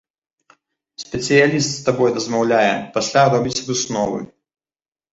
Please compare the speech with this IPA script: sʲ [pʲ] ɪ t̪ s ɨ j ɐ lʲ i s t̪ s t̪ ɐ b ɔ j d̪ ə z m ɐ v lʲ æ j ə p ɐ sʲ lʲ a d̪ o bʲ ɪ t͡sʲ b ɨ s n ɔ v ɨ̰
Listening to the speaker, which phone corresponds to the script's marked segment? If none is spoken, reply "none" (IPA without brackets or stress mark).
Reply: pʲ